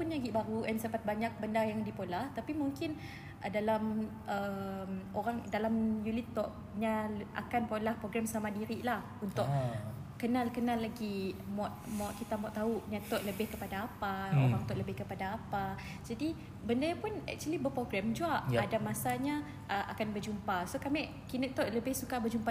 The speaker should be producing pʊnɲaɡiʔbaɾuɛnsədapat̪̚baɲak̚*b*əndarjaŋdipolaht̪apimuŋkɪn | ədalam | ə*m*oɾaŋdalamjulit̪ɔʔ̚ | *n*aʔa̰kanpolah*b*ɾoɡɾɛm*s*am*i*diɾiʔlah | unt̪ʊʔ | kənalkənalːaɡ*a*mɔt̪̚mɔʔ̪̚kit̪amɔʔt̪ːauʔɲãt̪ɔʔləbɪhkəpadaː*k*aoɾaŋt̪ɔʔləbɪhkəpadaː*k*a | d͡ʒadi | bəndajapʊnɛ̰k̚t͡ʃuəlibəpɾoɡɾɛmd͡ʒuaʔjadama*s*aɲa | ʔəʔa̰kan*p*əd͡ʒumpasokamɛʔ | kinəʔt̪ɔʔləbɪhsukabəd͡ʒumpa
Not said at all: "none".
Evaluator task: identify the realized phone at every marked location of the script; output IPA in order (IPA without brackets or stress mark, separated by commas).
b, m, ɲ, p, s, a, i, p, p, s, b